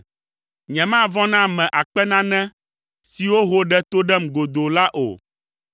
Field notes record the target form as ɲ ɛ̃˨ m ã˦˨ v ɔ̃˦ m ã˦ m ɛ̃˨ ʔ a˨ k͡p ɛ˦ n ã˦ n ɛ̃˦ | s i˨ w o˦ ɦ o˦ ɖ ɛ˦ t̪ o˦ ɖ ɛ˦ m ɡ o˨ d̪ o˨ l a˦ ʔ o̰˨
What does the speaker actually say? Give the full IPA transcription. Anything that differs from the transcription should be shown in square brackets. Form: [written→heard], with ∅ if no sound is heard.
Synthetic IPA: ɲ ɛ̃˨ m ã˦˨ v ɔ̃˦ [m→n] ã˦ m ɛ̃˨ ʔ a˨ k͡p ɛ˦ n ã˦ n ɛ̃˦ | s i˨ w o˦ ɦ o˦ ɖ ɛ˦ t̪ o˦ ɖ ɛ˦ m ɡ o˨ d̪ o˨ l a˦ ʔ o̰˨